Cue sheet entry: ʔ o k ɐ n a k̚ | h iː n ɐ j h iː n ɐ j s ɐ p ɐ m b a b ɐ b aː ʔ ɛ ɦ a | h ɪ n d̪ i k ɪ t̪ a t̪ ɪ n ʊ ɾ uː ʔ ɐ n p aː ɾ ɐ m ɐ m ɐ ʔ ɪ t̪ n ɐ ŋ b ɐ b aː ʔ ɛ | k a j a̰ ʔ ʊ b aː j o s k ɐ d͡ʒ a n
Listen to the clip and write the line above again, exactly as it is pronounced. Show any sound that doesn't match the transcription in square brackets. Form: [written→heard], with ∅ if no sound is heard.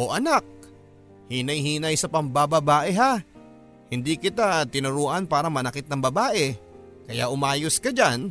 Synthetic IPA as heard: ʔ o [k→ʔ] ɐ n a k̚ | h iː n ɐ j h iː n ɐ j s ɐ p ɐ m b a b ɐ b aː ʔ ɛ ɦ a | h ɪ n d̪ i k ɪ t̪ a t̪ ɪ n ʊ ɾ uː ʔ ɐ n p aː ɾ ɐ m ɐ [m→n] ɐ [ʔ→k] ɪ t̪ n ɐ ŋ b ɐ b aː ʔ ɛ | k [a→ɐ] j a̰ ʔ ʊ [b→m] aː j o s k ɐ d͡ʒ a n